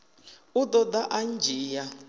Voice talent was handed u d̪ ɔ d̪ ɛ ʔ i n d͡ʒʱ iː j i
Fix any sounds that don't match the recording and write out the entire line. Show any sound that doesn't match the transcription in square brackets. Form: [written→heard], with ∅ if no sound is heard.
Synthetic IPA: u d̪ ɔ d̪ [ɛ→a] ʔ [i→a] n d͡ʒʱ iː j [i→a]